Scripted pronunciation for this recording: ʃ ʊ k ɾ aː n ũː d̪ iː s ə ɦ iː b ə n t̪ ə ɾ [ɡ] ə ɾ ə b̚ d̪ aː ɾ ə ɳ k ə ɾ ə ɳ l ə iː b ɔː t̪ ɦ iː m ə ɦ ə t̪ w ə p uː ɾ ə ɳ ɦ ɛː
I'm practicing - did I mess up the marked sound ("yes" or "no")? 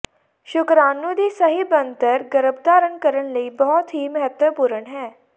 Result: no